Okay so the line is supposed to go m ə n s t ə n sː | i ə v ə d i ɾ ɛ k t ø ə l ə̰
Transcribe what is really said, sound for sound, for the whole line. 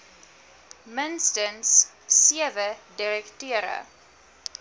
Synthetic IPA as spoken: m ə n s t ə n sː | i ə v ə d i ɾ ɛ k t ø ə ɾ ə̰